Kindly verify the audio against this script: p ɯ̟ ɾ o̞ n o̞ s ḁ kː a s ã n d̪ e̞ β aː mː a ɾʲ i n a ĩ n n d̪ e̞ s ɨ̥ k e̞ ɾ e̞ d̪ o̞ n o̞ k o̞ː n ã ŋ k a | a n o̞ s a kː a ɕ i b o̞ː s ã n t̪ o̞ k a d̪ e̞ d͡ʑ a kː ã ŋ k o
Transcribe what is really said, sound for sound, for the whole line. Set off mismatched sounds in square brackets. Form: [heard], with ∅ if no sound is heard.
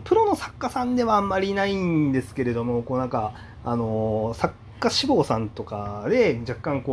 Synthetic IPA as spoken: p ɯ̟ ɾ o̞ n o̞ s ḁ kː a s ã n d̪ e̞ β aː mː a ɾʲ i n a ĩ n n d̪ e̞ s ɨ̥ k e̞ ɾ e̞ d̪ o̞ [m] o̞ k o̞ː n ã ŋ k a | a n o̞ s a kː a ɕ i b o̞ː s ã n t̪ o̞ k a d̪ e̞ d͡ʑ a kː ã ŋ k o